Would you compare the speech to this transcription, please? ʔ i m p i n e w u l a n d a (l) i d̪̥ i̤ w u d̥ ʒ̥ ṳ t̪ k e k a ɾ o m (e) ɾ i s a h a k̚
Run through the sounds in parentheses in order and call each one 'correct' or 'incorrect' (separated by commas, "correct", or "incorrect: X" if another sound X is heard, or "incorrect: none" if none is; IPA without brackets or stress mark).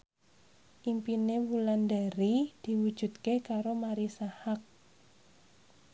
incorrect: ɾ, incorrect: a